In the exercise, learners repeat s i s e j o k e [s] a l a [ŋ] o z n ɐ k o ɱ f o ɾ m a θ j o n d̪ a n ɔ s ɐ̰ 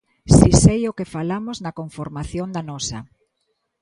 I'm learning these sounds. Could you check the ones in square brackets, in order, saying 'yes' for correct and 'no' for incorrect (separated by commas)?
no, no